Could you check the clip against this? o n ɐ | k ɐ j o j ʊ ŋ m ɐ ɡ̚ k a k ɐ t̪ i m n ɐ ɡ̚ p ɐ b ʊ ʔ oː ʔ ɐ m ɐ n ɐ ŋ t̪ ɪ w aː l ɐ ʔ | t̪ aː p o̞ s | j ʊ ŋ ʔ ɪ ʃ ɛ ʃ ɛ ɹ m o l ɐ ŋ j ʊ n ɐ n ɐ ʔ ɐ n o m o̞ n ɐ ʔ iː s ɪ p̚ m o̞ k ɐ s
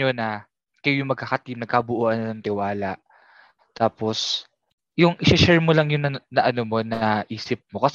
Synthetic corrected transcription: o n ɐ | k ɐ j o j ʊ ŋ m ɐ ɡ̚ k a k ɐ t̪ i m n ɐ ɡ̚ k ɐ b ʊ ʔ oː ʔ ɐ n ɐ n ɐ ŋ t̪ ɪ w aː l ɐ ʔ | t̪ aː p o̞ s | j ʊ ŋ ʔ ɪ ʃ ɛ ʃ ɛ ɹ m o l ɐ ŋ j ʊ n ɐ n ɐ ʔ ɐ n o m o̞ n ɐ ʔ iː s ɪ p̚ m o̞ k ɐ s